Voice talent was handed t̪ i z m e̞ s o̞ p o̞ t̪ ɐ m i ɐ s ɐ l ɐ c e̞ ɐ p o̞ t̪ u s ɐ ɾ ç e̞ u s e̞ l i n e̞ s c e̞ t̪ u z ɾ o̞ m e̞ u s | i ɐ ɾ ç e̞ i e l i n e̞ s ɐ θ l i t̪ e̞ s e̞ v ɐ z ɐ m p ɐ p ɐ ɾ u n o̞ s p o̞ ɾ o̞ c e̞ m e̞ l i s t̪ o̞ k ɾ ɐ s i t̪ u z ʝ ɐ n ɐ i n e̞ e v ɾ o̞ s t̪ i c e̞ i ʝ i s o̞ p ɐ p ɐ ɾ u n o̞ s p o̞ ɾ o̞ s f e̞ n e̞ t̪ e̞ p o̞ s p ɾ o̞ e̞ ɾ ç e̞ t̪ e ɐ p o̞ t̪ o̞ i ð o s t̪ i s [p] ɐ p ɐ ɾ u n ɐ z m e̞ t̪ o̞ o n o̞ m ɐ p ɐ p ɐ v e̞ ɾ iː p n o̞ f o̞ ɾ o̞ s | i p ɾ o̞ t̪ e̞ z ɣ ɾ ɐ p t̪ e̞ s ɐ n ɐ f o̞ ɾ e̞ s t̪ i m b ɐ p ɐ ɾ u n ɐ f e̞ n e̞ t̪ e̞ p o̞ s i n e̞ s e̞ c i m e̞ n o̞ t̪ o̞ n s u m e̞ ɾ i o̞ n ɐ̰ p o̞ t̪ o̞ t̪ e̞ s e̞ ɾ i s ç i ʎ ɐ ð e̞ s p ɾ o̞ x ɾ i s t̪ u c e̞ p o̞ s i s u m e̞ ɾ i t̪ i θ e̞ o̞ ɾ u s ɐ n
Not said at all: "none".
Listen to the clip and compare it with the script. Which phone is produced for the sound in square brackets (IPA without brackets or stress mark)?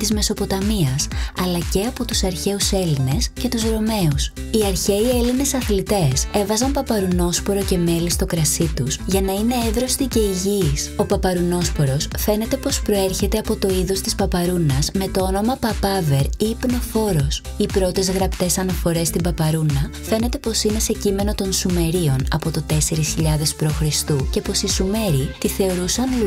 p